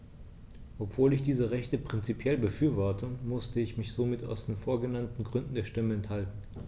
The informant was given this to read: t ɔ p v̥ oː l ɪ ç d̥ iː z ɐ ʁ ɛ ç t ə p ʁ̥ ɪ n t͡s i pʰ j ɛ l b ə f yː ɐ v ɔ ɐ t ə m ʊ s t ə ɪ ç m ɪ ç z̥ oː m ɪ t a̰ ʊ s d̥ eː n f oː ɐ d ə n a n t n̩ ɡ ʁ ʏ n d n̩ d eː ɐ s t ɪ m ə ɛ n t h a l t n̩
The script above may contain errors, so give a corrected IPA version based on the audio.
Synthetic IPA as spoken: ʔ ɔ p v̥ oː l ɪ ç d̥ iː z ə ʁ ɛ ç t ə p ʁ̥ ɪ n t͡s i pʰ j ɛ l b ə f yː ɐ v ɔ ɐ t ə m ʊ s t ə ɪ ç m ɪ ç z̥ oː m ɪ t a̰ ʊ s d̥ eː n f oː ɐ ɡ ə n a n t n̩ ɡ ʁ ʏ n d n̩ d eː ɐ ʃ t ɪ m ə ɛ n t h a l t n̩